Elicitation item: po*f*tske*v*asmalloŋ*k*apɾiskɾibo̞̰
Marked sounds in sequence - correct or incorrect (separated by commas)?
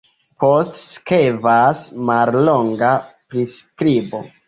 incorrect, correct, incorrect